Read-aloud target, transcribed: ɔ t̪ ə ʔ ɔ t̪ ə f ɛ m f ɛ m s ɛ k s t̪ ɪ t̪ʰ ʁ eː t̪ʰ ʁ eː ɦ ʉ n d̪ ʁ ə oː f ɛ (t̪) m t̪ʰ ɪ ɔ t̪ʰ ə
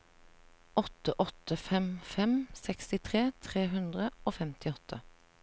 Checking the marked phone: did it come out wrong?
yes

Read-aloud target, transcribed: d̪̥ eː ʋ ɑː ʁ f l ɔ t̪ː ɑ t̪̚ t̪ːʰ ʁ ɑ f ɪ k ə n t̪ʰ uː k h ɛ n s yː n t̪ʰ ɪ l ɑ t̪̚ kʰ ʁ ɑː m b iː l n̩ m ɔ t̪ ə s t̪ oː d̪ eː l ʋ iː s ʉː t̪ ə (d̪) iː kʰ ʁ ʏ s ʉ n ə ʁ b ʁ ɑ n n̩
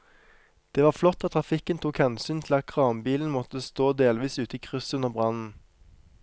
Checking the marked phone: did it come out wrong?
yes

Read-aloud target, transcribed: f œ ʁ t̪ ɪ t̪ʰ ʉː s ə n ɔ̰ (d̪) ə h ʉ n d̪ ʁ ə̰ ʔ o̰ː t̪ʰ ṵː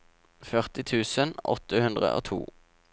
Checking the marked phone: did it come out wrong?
yes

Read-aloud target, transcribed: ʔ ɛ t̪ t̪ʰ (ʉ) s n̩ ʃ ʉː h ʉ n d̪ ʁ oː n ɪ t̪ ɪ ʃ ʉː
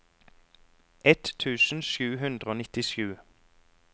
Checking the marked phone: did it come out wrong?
yes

